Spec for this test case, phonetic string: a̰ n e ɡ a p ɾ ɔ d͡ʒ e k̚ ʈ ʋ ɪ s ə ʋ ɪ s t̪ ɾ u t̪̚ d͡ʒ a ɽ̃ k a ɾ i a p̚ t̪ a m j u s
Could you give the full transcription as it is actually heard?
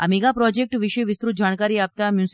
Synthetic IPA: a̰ m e ɡ a p ɾ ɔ d͡ʒ e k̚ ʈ ʋ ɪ ʃ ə ʋ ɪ s t̪ ɾ u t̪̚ d͡ʒ a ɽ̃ k a ɾ i a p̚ t̪ a m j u s